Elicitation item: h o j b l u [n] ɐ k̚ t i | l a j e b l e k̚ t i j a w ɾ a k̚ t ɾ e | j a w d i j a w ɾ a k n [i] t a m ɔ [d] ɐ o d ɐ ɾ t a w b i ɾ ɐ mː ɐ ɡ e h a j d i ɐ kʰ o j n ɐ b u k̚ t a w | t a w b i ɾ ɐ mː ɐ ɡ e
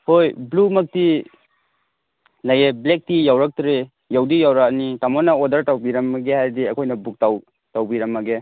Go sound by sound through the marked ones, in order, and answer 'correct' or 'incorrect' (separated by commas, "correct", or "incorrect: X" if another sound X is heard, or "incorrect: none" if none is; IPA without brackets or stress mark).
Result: incorrect: m, correct, incorrect: n